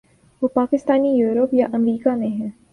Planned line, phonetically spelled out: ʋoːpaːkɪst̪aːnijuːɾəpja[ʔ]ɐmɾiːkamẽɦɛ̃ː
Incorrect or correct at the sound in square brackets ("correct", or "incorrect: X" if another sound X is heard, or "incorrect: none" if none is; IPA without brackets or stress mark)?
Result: correct